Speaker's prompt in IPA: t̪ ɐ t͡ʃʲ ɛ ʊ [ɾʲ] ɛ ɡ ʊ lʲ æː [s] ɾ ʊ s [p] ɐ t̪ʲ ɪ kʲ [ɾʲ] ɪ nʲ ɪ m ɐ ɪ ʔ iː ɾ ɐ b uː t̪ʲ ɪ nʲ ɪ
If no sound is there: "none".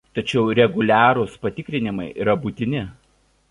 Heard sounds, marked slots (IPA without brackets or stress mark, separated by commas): ɾʲ, none, p, ɾʲ